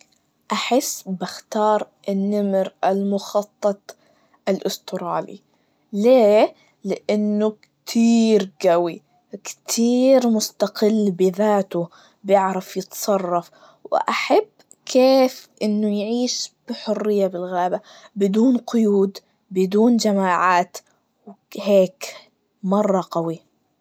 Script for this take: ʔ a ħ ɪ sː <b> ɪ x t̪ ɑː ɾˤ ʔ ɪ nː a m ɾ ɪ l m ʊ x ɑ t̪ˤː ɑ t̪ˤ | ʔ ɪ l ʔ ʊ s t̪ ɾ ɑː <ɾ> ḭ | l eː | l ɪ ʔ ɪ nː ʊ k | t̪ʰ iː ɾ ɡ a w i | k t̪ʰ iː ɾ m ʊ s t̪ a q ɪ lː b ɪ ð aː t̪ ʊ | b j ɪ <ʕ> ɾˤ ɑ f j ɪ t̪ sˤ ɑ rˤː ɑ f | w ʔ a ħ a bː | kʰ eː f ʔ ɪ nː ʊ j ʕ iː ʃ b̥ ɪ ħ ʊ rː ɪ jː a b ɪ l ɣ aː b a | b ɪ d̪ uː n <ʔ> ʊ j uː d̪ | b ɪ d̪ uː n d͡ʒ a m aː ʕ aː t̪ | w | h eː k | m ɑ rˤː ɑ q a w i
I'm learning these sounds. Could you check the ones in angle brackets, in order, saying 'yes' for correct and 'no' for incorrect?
yes, no, yes, no

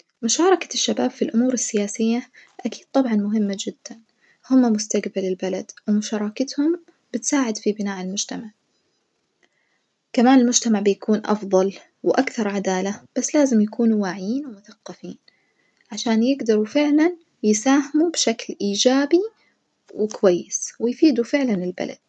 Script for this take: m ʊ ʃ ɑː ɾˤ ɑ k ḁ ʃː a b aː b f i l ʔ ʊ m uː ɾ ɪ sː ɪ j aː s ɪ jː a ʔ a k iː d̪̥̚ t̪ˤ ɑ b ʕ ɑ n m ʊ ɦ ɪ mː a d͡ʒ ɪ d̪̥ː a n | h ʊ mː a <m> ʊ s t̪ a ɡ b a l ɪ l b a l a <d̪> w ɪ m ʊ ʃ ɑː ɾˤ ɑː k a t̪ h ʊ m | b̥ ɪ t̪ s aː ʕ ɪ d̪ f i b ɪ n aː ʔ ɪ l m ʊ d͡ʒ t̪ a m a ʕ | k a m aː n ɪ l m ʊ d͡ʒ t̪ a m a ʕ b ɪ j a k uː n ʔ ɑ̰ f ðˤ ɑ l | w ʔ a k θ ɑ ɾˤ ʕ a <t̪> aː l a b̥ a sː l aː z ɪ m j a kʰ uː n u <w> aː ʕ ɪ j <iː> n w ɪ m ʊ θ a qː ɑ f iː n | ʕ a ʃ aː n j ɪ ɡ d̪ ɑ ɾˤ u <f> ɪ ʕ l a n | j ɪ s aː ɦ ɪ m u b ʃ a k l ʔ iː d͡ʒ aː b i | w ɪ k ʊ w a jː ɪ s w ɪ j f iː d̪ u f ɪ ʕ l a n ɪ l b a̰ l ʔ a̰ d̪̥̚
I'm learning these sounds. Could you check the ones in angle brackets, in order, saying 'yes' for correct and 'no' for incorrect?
yes, yes, no, yes, yes, yes

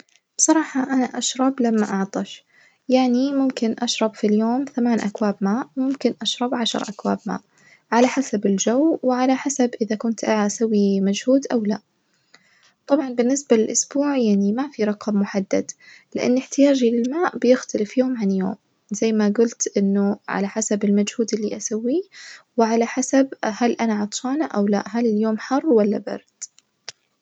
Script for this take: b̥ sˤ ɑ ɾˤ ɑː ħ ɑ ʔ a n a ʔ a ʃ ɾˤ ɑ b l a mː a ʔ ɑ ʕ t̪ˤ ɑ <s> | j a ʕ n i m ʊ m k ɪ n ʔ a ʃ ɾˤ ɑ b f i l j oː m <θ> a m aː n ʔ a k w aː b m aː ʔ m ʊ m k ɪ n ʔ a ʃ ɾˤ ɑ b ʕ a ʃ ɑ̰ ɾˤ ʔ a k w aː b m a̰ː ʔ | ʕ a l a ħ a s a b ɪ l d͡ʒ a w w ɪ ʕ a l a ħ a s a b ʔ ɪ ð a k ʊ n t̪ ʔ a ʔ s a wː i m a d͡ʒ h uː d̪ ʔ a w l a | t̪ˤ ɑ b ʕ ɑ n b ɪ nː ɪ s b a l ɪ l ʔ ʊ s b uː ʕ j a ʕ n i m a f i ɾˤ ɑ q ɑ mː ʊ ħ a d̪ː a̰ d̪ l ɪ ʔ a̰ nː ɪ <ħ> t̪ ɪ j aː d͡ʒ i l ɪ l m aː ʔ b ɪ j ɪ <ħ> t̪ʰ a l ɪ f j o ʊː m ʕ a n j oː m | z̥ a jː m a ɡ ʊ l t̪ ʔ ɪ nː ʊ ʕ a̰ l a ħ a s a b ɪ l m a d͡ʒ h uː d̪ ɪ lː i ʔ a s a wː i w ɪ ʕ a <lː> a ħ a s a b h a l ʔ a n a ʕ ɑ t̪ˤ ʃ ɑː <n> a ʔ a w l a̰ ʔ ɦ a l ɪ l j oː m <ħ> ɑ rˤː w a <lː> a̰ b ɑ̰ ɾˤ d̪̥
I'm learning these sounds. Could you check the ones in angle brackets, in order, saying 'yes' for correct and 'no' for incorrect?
no, yes, yes, no, no, yes, yes, yes

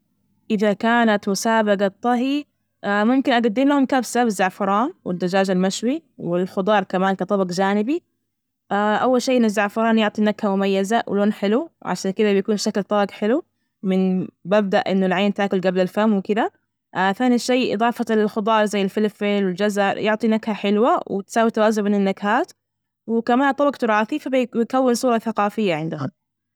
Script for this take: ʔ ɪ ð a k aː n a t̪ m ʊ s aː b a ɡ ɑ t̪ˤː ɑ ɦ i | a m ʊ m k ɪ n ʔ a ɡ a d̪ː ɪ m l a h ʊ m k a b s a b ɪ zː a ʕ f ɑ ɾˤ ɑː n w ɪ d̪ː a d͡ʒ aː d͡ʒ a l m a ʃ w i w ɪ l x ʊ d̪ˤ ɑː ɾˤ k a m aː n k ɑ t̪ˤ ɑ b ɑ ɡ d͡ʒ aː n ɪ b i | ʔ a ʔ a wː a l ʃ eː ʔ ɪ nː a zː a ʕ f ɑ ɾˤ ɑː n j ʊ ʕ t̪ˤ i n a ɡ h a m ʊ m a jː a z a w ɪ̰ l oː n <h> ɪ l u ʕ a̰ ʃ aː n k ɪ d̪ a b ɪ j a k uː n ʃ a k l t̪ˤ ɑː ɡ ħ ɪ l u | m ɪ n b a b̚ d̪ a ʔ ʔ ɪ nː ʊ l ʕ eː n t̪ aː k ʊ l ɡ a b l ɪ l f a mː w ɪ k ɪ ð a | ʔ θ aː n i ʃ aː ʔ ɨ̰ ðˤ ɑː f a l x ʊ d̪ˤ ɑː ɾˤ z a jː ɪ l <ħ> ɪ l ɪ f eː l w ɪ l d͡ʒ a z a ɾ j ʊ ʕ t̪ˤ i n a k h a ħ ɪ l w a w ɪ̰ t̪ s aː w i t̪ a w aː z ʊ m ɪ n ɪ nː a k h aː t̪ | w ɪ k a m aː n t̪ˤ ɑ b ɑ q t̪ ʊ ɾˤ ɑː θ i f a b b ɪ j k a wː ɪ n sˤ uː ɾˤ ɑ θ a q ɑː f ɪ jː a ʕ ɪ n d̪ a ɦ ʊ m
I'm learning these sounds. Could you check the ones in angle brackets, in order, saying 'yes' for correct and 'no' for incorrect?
no, no

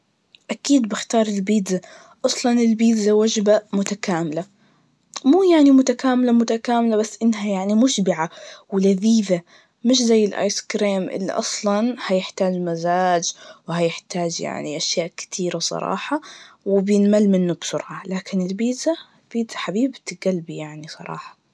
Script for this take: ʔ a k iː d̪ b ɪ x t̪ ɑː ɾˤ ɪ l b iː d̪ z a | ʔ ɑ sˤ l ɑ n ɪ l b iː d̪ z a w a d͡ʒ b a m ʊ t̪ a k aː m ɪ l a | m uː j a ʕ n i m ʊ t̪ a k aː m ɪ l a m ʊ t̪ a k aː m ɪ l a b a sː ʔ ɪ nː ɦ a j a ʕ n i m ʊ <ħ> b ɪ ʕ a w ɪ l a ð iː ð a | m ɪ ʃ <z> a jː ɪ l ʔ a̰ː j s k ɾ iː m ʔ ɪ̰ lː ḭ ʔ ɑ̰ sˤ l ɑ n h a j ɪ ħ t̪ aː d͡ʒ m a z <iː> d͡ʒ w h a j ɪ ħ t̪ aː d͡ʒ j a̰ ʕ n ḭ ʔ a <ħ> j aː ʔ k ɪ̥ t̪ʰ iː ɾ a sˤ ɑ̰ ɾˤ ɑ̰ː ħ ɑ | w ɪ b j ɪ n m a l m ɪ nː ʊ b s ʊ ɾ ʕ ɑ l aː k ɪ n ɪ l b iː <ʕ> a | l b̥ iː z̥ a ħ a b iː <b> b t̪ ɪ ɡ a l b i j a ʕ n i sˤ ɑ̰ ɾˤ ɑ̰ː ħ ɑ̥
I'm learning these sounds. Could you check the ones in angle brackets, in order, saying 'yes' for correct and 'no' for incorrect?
no, yes, no, no, no, yes

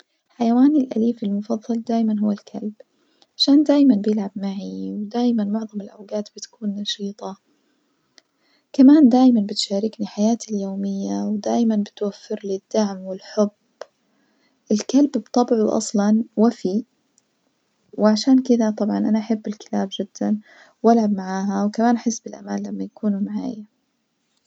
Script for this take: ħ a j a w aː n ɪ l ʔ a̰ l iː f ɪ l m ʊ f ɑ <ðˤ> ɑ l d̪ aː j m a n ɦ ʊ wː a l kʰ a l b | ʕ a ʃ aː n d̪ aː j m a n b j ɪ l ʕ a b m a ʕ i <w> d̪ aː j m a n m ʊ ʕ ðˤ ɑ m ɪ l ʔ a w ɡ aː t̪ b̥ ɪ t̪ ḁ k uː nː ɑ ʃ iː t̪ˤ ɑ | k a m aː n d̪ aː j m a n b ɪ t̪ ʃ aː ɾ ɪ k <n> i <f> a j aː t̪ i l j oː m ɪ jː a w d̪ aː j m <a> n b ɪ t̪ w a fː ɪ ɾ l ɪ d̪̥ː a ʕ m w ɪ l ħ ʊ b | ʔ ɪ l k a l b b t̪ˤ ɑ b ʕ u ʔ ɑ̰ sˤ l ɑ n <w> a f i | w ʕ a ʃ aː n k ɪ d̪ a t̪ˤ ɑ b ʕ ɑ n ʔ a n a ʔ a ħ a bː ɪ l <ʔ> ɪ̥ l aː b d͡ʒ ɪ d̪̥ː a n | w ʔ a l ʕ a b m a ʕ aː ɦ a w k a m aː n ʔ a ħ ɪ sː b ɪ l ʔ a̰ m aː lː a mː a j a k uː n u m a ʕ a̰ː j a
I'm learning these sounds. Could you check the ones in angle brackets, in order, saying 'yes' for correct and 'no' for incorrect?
no, yes, yes, no, yes, yes, no

